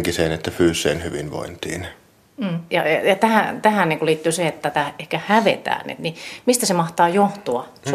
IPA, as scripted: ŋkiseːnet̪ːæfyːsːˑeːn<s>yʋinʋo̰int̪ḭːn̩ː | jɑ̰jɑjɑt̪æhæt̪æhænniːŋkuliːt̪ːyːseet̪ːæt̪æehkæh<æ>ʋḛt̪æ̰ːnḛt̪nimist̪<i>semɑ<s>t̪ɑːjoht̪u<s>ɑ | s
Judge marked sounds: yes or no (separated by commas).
no, yes, no, no, no